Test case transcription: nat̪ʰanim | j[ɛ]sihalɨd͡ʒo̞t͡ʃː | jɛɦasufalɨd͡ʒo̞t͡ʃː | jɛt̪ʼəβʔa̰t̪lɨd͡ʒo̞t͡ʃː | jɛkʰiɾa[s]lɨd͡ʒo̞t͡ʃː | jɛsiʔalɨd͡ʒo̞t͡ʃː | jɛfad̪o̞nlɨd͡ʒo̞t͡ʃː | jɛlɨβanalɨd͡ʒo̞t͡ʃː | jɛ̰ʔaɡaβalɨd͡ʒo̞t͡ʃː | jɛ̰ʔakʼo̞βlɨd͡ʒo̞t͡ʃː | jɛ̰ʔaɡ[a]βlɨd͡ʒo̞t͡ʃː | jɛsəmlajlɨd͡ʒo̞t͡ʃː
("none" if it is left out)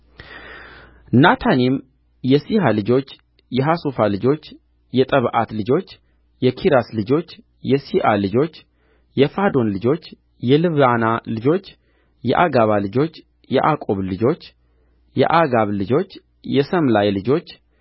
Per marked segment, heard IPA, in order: ɛ, s, a

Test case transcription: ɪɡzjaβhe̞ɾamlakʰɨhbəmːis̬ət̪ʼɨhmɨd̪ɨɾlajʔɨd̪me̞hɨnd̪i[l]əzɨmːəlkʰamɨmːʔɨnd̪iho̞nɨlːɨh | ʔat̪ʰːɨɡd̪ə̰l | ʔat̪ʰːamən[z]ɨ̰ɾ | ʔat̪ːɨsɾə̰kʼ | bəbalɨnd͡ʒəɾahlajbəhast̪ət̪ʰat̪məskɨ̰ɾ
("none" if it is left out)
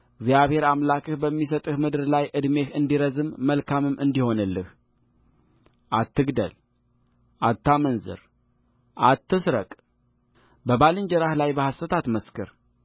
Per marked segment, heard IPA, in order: ɾ, z

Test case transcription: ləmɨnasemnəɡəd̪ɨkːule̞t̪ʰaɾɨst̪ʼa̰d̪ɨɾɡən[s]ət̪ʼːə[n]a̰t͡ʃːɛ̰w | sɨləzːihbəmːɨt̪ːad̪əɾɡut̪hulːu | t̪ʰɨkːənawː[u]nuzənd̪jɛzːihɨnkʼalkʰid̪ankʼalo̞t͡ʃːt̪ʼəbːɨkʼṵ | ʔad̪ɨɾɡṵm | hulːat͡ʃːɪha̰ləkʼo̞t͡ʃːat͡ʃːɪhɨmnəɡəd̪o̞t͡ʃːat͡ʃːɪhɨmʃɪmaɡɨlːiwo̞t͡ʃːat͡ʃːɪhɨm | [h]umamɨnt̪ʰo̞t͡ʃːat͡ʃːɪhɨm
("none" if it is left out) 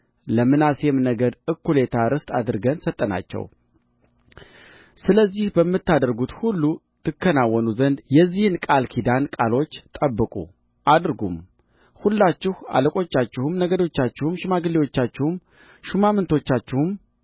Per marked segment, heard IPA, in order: s, n, ɔ, ʃ

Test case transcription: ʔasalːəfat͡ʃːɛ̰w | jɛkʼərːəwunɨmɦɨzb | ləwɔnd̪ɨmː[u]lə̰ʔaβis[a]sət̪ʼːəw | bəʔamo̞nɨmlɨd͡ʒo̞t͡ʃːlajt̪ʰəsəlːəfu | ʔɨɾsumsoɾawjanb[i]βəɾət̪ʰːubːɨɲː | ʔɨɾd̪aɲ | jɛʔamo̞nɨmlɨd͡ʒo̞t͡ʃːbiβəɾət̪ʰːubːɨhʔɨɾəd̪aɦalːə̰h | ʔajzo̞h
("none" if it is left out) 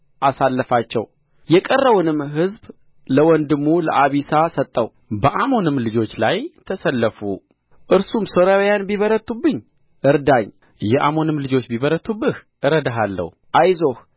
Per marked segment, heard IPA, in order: u, a, i

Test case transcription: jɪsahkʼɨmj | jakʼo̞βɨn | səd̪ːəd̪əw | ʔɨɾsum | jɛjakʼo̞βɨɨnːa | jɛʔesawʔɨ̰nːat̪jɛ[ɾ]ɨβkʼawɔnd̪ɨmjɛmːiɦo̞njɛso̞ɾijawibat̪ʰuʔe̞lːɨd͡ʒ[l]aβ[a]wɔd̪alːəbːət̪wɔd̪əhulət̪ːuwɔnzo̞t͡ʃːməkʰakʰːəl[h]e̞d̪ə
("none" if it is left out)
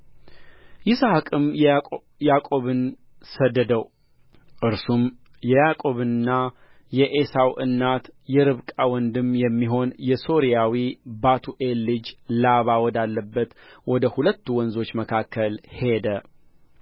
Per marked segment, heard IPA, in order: ɾ, l, a, h

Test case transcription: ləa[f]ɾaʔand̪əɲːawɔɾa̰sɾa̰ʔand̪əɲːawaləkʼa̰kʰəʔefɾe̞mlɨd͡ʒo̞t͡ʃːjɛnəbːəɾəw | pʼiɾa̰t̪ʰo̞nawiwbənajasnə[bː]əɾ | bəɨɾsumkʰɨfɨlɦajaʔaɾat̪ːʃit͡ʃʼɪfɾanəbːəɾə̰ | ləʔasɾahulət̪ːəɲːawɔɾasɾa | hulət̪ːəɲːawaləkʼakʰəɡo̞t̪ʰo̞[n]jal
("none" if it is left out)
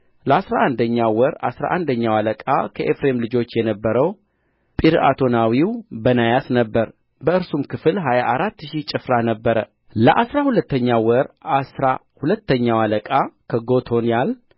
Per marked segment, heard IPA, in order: s, bː, n

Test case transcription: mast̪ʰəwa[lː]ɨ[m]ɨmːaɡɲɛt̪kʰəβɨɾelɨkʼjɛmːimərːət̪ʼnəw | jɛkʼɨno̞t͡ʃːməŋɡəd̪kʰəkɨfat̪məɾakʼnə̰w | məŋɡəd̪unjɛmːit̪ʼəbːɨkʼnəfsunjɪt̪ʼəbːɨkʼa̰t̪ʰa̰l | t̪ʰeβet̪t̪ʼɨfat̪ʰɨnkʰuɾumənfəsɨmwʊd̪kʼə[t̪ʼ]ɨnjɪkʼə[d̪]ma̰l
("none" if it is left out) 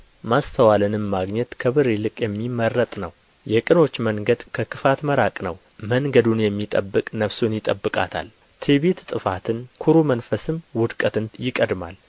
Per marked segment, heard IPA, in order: l, n, t̪, d̪

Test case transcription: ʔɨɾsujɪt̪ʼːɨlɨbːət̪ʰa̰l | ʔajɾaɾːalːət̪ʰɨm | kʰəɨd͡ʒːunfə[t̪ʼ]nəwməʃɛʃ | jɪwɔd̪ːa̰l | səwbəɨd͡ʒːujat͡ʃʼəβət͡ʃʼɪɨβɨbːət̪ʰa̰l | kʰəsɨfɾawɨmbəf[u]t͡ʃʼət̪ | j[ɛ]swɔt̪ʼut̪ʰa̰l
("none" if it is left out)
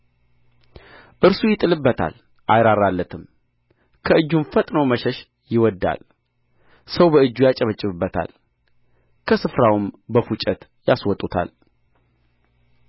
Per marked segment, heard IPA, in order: t̪ʼ, u, a

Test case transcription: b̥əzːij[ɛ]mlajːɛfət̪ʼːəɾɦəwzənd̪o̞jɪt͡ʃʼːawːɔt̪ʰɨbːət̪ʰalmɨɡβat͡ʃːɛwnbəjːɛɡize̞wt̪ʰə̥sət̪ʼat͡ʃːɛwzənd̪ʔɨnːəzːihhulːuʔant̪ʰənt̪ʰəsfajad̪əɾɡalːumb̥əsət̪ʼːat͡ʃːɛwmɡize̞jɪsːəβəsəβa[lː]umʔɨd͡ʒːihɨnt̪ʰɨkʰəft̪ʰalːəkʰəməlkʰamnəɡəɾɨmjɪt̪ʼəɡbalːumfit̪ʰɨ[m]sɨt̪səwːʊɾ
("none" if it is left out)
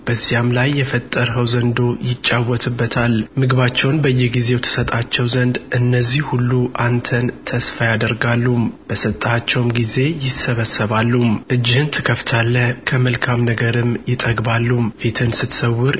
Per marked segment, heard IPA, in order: a, lː, n

